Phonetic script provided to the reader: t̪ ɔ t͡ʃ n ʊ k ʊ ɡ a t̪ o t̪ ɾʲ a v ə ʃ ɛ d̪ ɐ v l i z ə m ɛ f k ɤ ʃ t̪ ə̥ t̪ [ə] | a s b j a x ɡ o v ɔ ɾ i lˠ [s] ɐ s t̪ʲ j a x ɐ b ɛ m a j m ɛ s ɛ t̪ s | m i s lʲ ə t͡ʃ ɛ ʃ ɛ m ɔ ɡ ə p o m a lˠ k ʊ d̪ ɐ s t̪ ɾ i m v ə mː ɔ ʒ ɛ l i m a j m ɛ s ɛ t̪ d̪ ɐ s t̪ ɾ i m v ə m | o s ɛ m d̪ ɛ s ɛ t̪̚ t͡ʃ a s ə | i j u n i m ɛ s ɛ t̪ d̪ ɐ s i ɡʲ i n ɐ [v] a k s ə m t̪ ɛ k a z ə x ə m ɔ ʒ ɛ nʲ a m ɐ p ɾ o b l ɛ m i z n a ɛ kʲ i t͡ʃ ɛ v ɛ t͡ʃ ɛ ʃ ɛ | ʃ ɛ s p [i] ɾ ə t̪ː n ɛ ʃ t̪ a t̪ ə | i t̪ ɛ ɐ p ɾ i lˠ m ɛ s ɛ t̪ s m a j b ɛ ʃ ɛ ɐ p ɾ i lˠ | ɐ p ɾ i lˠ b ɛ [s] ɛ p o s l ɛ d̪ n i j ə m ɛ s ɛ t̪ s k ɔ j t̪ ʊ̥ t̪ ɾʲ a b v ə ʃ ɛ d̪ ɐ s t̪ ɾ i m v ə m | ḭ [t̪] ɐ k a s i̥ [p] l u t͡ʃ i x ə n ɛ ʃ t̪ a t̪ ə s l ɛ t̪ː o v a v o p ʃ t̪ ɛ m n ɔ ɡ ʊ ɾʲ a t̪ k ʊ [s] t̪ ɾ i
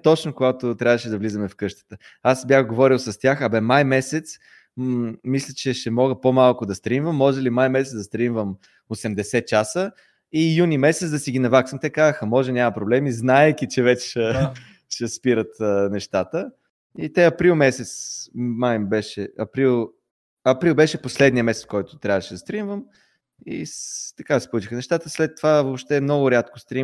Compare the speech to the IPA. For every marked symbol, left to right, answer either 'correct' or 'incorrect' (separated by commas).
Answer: correct, correct, correct, correct, incorrect, correct, correct, correct